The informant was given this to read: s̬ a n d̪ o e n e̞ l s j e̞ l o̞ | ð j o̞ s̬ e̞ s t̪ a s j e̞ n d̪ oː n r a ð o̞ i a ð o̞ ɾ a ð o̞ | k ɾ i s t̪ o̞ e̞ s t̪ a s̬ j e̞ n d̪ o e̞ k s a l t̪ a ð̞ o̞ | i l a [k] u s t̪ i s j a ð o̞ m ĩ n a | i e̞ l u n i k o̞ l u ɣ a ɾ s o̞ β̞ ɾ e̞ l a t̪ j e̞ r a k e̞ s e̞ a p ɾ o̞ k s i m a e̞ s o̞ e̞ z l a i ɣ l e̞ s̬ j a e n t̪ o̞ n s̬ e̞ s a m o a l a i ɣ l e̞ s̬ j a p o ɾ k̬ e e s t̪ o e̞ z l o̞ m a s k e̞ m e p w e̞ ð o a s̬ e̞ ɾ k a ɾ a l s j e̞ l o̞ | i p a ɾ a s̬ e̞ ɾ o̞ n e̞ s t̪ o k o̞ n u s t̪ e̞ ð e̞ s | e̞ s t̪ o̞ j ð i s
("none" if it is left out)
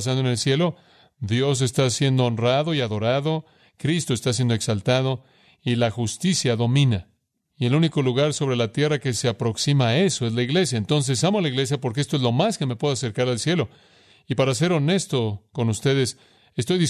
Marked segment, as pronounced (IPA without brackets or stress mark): x